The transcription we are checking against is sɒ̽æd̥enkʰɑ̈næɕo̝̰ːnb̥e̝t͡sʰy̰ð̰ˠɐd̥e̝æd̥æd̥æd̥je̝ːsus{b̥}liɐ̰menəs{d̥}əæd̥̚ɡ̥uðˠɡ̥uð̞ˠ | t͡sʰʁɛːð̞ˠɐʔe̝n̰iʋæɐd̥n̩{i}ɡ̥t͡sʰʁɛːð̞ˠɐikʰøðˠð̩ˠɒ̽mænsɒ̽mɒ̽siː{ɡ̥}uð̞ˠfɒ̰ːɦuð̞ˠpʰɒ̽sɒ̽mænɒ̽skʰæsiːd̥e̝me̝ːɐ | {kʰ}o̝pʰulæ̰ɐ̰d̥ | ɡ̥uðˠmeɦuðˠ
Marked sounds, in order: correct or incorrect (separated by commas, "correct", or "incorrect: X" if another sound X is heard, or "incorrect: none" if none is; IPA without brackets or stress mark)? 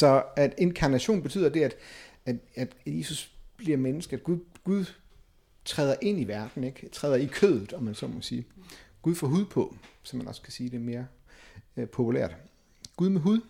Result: correct, incorrect: ɡ̥, incorrect: e, correct, incorrect: pʰ